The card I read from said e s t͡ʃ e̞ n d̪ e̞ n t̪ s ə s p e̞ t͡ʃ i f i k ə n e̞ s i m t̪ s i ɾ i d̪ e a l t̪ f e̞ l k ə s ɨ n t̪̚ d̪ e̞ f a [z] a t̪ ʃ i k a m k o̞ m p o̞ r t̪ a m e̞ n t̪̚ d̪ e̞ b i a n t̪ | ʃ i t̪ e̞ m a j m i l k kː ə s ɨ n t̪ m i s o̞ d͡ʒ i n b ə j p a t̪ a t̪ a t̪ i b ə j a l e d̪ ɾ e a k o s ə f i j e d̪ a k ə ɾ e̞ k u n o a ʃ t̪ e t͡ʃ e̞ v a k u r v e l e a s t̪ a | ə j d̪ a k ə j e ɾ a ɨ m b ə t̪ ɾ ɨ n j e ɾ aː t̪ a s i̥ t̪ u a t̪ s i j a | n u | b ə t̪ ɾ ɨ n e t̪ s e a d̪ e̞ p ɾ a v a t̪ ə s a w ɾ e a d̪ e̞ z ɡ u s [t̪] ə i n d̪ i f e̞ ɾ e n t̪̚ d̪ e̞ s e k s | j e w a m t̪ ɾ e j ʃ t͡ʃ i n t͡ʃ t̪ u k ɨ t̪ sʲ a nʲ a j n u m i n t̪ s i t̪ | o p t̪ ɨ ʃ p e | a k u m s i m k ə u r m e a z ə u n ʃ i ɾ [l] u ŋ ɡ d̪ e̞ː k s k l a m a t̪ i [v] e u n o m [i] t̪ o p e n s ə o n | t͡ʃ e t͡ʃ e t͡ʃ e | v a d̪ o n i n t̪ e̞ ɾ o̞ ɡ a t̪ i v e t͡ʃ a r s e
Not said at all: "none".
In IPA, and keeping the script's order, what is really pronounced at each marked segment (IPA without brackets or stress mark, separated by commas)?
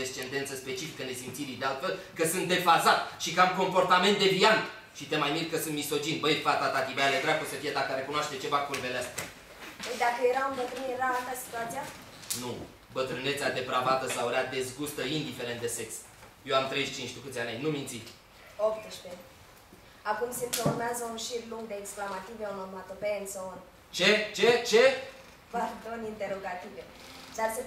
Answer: z, t̪, l, v, a